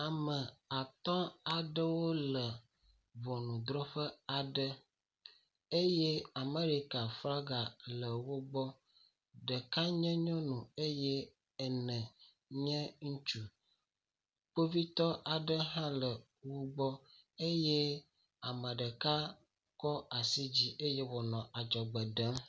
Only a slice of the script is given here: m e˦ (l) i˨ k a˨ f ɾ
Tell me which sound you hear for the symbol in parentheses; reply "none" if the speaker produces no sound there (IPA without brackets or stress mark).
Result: ɾ